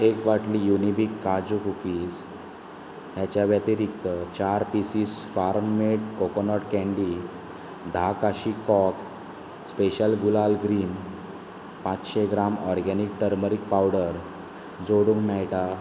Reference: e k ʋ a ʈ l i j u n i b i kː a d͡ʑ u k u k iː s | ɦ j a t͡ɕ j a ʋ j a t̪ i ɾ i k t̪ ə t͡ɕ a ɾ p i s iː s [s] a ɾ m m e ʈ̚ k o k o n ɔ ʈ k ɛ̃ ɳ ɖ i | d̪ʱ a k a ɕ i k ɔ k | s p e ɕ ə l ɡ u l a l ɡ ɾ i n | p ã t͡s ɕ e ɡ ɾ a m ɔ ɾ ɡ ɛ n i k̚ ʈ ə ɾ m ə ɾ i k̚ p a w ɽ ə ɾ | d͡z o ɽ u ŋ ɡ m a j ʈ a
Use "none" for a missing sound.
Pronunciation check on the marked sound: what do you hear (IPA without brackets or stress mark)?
f